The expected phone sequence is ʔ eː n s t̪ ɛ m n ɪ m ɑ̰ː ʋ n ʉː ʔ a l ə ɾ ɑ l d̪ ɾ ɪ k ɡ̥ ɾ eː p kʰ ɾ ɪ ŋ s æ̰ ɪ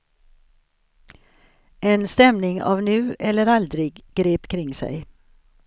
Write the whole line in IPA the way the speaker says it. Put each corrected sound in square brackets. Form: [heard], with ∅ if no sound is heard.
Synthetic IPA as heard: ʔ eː n s t̪ ɛ m n ɪ [ŋ] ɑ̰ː ʋ n ʉː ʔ [ɛ] l ə ɾ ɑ l d̪ ɾ ɪ [ɡ] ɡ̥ ɾ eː p kʰ ɾ ɪ ŋ s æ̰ ɪ